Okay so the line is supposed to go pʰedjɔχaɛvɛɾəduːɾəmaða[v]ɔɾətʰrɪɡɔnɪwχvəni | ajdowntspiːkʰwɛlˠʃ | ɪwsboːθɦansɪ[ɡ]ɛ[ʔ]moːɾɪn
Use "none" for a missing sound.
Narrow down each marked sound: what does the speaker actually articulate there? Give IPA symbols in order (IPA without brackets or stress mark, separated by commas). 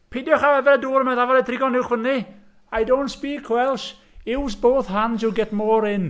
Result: v, ɡ, t